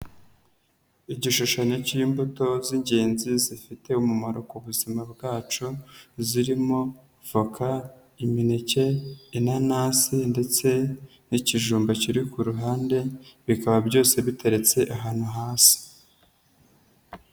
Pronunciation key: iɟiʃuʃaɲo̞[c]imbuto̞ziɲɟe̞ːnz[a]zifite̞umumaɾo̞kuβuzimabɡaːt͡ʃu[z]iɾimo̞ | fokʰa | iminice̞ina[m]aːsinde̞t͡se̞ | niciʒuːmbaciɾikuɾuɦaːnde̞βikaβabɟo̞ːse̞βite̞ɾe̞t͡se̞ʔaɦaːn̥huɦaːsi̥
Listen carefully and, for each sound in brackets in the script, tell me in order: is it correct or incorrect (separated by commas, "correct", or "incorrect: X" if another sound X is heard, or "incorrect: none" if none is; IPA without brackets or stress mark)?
correct, incorrect: i, correct, incorrect: n